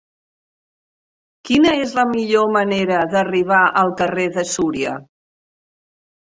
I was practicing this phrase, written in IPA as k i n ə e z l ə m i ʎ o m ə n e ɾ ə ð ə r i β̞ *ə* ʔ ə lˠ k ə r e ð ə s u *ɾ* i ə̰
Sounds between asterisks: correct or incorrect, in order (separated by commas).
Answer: incorrect, correct